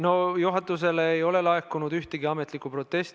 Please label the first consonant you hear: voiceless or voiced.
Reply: voiced